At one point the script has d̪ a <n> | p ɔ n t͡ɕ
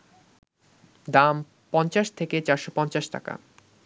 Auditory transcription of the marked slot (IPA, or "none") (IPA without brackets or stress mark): m